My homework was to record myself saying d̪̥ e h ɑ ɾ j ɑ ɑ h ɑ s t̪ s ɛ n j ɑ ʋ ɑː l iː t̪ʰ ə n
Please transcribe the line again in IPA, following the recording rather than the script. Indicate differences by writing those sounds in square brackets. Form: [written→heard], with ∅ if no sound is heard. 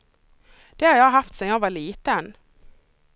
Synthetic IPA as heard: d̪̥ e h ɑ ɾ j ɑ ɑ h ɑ [s→f] t̪ s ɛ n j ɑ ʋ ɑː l iː [t̪ʰ→t̪] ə n